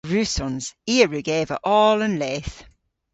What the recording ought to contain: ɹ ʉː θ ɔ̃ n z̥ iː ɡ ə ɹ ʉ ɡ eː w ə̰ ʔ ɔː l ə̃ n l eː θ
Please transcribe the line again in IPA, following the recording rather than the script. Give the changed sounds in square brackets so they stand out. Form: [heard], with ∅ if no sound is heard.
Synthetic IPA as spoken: ɹ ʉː [s] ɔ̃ n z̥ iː [∅] ə ɹ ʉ ɡ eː [v] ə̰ ʔ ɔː l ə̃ n l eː θ